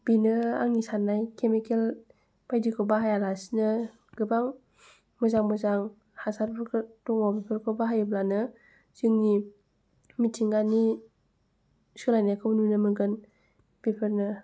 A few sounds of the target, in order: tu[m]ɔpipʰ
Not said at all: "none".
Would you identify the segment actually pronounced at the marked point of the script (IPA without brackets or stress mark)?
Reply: ŋ